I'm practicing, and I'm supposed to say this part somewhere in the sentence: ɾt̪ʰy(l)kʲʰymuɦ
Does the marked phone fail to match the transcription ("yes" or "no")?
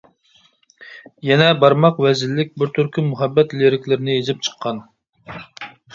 yes